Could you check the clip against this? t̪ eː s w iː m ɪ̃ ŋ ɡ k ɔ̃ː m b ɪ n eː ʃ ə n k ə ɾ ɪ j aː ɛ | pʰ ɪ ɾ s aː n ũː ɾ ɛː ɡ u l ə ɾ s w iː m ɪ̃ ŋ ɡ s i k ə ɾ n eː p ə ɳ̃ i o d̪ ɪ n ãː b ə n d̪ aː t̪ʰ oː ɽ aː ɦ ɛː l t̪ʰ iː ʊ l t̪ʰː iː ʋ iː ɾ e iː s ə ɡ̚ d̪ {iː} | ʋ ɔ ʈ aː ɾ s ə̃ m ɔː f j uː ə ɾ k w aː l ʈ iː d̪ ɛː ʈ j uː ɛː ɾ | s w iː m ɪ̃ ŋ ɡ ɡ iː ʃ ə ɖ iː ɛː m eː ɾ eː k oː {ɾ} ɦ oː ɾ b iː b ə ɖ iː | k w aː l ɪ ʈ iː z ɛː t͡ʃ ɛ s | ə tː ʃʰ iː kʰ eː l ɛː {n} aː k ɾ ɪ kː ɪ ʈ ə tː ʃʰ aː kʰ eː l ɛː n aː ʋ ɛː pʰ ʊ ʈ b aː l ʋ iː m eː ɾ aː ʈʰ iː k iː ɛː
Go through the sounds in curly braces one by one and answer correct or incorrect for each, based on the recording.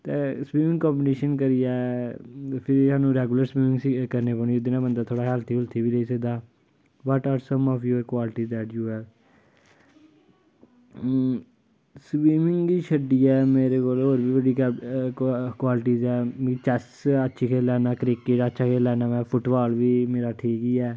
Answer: incorrect, incorrect, correct

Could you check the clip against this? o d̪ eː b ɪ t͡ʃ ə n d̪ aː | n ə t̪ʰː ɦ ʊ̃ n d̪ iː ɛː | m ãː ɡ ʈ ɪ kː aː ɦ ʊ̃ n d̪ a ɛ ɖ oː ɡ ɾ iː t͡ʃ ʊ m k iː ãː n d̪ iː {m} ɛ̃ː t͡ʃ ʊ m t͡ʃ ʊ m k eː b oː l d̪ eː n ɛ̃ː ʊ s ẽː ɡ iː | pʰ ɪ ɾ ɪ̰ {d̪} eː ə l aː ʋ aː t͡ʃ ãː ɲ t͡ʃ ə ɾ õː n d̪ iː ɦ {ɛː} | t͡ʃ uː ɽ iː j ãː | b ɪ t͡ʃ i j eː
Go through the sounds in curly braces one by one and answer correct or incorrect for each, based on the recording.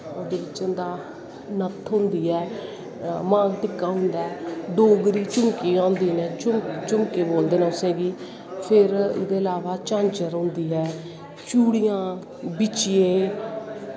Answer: incorrect, correct, correct

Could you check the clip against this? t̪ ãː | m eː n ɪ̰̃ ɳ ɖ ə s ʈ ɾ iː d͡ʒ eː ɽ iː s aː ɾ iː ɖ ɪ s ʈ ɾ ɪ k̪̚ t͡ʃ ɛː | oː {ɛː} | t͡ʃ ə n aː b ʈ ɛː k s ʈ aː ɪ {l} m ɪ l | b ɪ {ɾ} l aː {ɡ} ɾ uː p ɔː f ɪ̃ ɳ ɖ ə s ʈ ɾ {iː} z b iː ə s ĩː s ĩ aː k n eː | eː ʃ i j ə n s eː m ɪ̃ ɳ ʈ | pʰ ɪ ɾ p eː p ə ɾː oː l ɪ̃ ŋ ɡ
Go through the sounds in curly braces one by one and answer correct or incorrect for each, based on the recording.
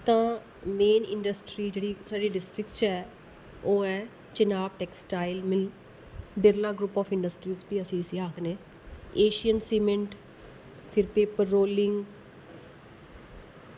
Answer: correct, correct, correct, correct, correct

